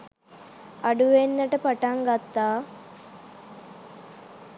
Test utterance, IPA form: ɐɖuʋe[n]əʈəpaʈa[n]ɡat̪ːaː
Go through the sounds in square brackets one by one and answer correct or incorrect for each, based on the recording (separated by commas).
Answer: incorrect, incorrect